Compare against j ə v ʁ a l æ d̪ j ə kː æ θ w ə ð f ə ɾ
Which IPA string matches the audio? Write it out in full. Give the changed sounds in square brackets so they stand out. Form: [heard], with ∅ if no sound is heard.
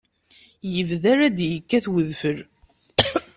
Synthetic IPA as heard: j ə v [ð] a [ɾ] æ d̪ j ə kː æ θ w ə ð f ə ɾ